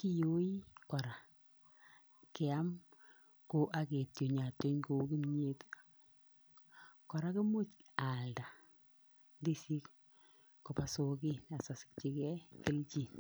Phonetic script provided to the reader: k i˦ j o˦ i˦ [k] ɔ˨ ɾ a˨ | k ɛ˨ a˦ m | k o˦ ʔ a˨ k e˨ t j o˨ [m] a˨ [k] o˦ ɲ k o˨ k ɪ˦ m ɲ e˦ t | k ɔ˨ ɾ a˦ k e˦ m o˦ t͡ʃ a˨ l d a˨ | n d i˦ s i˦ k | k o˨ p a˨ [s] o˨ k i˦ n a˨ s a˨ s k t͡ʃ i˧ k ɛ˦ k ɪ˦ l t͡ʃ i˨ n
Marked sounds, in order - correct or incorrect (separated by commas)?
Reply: correct, incorrect, incorrect, correct